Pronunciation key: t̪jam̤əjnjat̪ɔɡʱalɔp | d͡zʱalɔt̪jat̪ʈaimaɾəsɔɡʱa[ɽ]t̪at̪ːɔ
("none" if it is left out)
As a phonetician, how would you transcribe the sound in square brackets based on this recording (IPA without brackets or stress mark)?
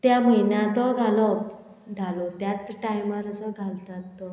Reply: l